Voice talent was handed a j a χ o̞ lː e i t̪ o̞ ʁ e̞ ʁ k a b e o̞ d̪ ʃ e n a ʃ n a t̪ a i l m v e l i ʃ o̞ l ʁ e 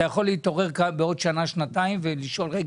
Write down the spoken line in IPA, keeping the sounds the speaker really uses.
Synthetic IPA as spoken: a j a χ o̞ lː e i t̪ o̞ ʁ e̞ ʁ k a b e o̞ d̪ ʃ a n a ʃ n a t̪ a i m v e l i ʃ o̞ l ʁ e